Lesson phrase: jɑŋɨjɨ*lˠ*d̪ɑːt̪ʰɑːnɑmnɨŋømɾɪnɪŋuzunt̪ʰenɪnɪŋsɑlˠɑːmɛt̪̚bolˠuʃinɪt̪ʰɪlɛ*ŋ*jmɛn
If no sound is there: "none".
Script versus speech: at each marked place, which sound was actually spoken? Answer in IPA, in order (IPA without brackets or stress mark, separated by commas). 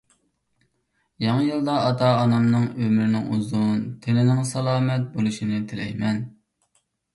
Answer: lˠ, none